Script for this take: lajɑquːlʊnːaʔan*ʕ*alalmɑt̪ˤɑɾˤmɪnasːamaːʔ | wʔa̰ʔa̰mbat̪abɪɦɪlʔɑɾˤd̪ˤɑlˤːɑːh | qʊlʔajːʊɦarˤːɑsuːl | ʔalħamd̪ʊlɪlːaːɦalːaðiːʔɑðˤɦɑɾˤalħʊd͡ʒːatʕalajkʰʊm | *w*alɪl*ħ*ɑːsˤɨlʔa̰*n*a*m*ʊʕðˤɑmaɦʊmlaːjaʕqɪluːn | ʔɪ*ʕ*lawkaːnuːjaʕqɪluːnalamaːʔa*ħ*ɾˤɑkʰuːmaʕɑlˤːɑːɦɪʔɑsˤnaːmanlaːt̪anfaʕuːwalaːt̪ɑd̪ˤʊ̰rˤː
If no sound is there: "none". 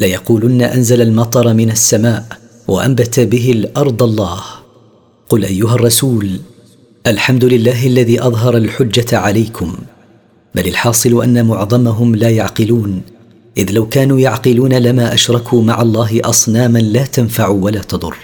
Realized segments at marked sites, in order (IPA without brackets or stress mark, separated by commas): z, b, ħ, nː, m, ð, ʃ